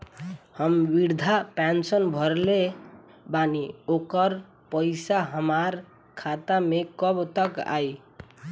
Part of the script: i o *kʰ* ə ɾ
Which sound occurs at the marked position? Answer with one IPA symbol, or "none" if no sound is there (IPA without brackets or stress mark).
k